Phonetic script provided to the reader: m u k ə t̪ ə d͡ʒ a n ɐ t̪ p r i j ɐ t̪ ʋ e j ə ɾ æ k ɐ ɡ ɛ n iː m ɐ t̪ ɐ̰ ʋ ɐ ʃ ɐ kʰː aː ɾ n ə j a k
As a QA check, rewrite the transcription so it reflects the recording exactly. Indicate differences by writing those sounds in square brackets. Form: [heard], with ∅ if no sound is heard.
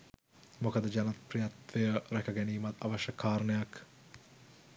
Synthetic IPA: m [o] k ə [d̪] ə d͡ʒ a n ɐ t̪ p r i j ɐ t̪ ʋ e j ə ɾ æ k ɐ ɡ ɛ n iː m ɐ t̪ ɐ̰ ʋ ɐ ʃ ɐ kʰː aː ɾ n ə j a k